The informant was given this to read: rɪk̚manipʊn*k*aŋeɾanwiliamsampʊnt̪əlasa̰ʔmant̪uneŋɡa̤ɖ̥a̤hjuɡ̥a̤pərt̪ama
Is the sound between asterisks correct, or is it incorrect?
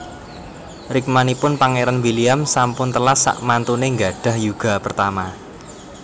incorrect: p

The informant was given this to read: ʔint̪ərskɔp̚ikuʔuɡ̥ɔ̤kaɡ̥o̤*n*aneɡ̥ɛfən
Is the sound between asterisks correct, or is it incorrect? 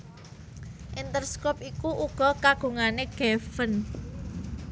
incorrect: ŋ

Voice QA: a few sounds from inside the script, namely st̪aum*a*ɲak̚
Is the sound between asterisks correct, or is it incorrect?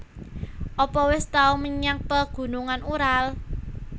incorrect: ə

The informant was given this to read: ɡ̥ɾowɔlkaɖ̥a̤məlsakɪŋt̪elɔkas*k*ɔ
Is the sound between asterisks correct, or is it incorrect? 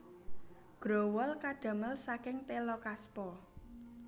incorrect: p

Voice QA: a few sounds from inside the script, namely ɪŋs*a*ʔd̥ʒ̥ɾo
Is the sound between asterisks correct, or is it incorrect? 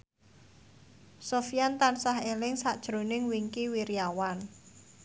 correct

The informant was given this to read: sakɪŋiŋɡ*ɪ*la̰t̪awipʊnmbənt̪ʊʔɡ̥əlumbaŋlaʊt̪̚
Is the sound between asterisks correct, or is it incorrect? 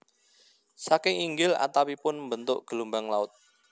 correct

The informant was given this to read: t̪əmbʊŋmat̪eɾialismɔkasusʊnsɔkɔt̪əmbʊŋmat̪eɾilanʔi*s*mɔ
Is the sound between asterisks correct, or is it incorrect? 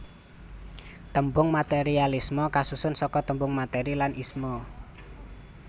correct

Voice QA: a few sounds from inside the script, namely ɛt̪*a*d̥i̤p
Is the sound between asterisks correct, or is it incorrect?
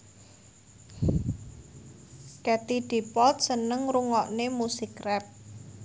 incorrect: i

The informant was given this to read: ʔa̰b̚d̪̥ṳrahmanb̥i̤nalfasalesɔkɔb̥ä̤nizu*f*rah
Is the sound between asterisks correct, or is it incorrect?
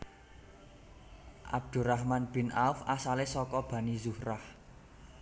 incorrect: h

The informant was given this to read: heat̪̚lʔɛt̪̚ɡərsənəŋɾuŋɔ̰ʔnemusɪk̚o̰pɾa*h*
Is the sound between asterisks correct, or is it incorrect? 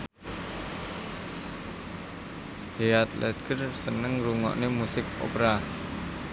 incorrect: none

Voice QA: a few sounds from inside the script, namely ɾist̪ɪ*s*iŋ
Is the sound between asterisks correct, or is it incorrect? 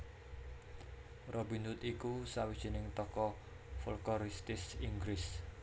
correct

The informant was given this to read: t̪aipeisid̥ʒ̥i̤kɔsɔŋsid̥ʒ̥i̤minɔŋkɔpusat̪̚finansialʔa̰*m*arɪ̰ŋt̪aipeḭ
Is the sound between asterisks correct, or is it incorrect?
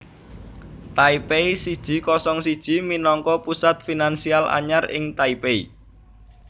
incorrect: ɲ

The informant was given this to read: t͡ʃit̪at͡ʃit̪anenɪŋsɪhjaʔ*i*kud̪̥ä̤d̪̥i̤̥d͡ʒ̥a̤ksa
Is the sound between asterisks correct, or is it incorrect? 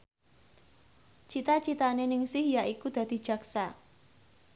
correct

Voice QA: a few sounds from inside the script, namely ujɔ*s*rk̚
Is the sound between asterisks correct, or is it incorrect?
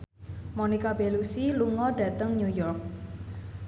incorrect: none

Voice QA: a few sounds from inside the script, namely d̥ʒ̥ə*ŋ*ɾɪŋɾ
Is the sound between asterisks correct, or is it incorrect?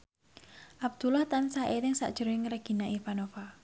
incorrect: none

